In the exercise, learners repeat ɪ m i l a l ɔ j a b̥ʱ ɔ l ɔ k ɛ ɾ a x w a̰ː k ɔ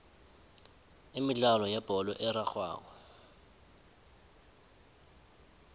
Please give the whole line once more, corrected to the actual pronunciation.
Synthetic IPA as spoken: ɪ m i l a l ɔ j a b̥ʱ ɔ l ɔ ʔ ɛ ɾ a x w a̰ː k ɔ